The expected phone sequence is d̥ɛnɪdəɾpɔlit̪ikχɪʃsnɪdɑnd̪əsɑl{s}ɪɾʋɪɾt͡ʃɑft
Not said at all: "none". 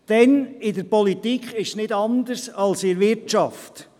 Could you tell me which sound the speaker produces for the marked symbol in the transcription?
s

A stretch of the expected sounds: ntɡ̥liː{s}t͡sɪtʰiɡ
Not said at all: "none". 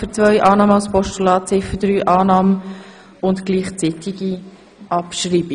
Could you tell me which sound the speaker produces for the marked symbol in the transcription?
χ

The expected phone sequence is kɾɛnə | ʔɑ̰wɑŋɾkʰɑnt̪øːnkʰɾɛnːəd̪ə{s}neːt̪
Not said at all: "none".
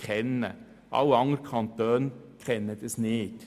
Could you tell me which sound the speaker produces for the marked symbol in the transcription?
s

